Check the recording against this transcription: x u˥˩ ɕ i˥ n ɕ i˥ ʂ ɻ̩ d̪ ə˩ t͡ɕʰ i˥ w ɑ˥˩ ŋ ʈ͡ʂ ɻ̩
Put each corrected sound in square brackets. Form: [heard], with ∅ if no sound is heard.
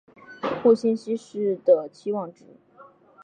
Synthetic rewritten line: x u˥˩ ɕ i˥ n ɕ i˥ ʂ ɻ̩ d̪ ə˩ t͡ɕʰ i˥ w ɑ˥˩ ŋ ʈ͡ʂ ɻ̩